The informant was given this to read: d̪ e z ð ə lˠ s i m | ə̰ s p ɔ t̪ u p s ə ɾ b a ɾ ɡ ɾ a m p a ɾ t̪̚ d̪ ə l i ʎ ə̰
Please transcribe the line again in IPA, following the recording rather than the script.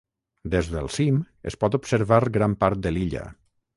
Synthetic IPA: d̪ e z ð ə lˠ s i m | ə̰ s p ɔ t̪ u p s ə ɾ β a ɾ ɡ ɾ a m p a ɾ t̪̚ d̪ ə l i ʎ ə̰